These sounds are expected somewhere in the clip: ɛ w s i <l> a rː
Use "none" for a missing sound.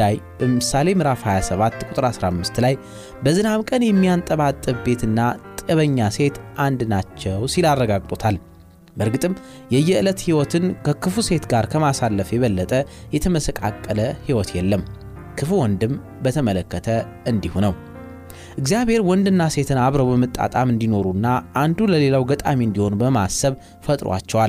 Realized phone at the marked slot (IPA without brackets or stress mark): l